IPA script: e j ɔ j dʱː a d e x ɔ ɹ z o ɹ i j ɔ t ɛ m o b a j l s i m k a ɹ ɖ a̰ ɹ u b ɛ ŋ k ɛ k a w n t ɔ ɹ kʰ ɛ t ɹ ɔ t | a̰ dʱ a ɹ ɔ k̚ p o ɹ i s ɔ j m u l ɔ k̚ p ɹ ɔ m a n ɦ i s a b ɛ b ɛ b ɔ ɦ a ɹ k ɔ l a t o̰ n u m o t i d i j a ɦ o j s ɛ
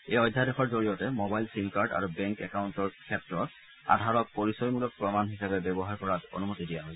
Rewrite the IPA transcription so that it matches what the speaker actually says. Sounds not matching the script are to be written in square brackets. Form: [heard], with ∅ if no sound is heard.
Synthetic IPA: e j ɔ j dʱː a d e x ɔ ɹ z o ɹ i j ɔ t ɛ m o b a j l s i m k a ɹ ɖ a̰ ɹ u b ɛ ŋ k ɛ k a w n t ɔ ɹ kʰ ɛ t ɹ ɔ t | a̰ dʱ a ɹ ɔ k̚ p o ɹ i s ɔ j m u l ɔ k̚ p ɹ ɔ m a n ɦ i s a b ɛ b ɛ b ɔ ɦ a ɹ k ɔ [ɹ] a t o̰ n u m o t i d i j a ɦ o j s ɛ

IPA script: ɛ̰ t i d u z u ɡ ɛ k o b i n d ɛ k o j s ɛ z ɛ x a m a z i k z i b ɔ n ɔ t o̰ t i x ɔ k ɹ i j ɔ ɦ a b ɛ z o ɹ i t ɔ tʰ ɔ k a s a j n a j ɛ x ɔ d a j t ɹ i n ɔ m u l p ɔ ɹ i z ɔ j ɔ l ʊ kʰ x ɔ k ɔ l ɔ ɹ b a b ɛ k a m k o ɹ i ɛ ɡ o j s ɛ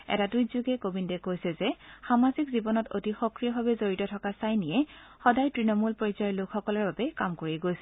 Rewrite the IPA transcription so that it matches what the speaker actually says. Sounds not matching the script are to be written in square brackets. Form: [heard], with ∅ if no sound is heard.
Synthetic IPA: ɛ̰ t [a] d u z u ɡ ɛ k o b i n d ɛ k o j s ɛ z ɛ x a m a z i k z i b ɔ n ɔ t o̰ t i x ɔ k ɹ i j ɔ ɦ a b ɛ z o ɹ i t ɔ tʰ ɔ k a s a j n [i] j ɛ x ɔ d a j t ɹ i n ɔ m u l p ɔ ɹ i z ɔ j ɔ l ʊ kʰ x ɔ k ɔ l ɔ ɹ b a b ɛ k a m k o ɹ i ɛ ɡ o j s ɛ

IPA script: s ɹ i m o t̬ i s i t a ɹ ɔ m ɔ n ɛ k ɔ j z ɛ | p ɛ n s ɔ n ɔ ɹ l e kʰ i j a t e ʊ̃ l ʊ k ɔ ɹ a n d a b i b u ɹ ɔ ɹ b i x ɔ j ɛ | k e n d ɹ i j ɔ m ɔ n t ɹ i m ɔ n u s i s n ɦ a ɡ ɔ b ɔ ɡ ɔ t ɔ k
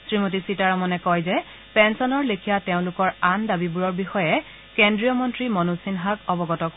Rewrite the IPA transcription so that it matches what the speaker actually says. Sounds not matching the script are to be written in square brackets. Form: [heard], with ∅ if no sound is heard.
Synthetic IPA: s ɹ i m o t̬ i s i t a ɹ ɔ m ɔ n ɛ k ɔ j z ɛ | p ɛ n s ɔ n ɔ ɹ l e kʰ i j a t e ʊ̃ l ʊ k ɔ ɹ a n d a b i b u ɹ ɔ ɹ b i x ɔ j ɛ | k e n d ɹ i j ɔ m ɔ n t ɹ i m ɔ n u s i [∅] n ɦ a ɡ ɔ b ɔ ɡ ɔ t ɔ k

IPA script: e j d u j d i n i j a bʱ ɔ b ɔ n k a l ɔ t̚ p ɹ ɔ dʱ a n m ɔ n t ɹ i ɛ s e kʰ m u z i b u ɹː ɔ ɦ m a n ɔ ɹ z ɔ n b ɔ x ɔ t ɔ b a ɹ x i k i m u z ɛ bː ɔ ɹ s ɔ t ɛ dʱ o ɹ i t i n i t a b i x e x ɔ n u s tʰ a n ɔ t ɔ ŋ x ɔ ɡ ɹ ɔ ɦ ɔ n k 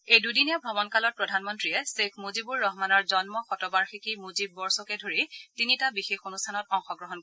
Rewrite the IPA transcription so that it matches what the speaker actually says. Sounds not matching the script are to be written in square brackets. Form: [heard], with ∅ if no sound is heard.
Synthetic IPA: e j d u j d i n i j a bʱ ɔ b ɔ n k a l ɔ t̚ p ɹ ɔ dʱ a n m ɔ n t ɹ i ɛ s e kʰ m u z i b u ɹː ɔ ɦ m a n ɔ ɹ z ɔ n [m] ɔ x ɔ t ɔ b a ɹ x i k i m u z [i] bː ɔ ɹ s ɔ [k] ɛ dʱ o ɹ i t i n i t a b i x e x [o] n u s tʰ a n ɔ t ɔ ŋ x ɔ ɡ ɹ ɔ ɦ ɔ n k

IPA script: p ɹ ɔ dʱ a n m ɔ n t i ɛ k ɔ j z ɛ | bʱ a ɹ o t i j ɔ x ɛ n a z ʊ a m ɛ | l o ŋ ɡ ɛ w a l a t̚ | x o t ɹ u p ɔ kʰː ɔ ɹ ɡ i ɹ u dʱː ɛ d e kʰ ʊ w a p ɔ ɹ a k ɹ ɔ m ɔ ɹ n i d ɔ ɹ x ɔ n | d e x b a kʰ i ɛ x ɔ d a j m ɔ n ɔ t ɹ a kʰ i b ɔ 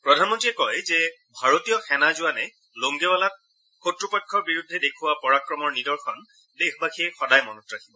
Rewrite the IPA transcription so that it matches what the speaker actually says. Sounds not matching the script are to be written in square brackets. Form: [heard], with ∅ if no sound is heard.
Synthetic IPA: p ɹ ɔ dʱ a n m ɔ n t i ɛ k ɔ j z ɛ | bʱ a ɹ o t i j ɔ x ɛ n a z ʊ a [n] ɛ | l o ŋ ɡ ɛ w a l a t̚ | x o t ɹ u p ɔ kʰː ɔ ɹ [b] i ɹ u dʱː ɛ d e kʰ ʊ w a p ɔ ɹ a k ɹ ɔ m ɔ ɹ n i d ɔ ɹ x ɔ n | d e x b a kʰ i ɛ x ɔ d a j m ɔ n ɔ t ɹ a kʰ i b ɔ

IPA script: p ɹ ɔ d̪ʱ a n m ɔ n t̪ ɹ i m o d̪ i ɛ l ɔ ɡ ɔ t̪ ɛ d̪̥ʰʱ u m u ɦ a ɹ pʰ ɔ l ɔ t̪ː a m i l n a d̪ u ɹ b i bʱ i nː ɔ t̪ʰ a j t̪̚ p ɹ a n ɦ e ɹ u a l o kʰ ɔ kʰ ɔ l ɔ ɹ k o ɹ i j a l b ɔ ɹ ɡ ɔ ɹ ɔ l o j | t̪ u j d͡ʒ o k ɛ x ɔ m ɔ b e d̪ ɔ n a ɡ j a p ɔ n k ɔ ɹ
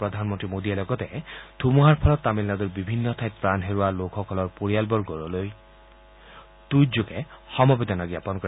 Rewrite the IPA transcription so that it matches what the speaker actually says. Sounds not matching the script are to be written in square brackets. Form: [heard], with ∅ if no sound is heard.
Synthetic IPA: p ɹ ɔ d̪ʱ a n m ɔ n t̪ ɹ i m o d̪ i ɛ l ɔ ɡ ɔ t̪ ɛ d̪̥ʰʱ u m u ɦ a ɹ pʰ ɔ l ɔ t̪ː a m i l n a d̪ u ɹ b i bʱ i nː ɔ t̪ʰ a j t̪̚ p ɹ a n ɦ e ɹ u a l o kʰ ɔ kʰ ɔ l ɔ ɹ [p] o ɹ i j a l b ɔ ɹ ɡ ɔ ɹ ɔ l o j | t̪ u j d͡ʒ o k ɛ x ɔ m ɔ b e d̪ ɔ n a ɡ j a p ɔ n k ɔ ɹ

